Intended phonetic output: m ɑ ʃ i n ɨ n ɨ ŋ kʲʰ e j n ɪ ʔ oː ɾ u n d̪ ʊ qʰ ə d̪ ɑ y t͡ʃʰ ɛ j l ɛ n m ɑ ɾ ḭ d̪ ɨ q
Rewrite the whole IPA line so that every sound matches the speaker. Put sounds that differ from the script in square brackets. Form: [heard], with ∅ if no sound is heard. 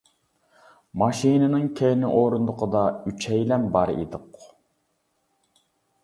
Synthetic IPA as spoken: m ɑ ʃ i n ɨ n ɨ ŋ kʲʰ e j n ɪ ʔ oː ɾ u n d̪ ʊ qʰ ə d̪ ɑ y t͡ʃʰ ɛ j l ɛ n [b] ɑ ɾ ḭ d̪ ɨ q